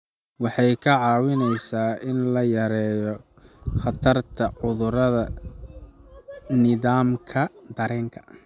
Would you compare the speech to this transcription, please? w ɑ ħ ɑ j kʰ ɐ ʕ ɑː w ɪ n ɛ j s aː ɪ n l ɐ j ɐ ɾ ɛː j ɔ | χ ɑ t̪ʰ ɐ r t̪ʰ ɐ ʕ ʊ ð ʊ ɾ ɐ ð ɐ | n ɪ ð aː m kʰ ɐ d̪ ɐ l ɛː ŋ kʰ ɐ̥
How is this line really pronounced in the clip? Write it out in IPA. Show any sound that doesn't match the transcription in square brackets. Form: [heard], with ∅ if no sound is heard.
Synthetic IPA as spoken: w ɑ ħ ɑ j kʰ ɐ ʕ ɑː w ɪ n ɛ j s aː ɪ n l ɐ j ɐ ɾ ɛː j ɔ | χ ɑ t̪ʰ ɐ r t̪ʰ ɐ ʕ ʊ ð ʊ ɾ ɐ ð ɐ | n ɪ ð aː m kʰ ɐ d̪ ɐ [ɾ] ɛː ŋ kʰ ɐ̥